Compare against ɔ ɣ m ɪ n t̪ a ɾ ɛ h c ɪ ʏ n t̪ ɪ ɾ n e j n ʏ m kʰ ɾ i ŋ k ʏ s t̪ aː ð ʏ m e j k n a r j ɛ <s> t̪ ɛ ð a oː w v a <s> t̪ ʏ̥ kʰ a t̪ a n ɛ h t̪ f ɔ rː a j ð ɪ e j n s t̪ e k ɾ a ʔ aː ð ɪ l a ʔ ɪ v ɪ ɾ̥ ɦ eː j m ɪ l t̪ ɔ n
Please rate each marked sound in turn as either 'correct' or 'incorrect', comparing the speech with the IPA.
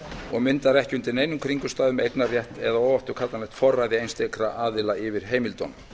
incorrect: h, incorrect: f

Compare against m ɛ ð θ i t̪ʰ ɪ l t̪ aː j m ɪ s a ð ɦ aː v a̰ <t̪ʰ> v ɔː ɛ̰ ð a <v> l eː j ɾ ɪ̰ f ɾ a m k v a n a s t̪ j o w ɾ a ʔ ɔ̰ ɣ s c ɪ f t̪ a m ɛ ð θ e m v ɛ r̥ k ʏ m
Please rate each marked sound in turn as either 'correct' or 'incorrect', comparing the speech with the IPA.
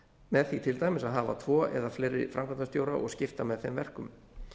correct, incorrect: f

